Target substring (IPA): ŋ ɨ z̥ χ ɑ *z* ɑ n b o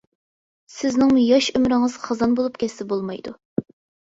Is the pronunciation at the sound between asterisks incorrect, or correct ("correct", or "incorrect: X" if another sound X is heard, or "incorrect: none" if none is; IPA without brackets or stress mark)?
correct